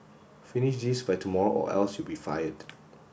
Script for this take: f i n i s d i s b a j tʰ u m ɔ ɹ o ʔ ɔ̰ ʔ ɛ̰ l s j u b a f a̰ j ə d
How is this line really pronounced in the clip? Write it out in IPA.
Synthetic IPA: f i n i ʃ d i s b a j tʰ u m ɔ ɹ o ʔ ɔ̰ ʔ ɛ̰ l s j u b i f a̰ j ə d